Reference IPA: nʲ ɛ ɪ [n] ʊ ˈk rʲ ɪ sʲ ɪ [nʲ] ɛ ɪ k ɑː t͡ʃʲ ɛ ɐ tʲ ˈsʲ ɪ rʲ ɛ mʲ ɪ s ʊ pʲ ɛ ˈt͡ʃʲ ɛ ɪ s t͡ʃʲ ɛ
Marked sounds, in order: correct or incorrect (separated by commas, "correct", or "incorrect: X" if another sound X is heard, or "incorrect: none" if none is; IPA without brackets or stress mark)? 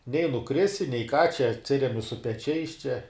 correct, correct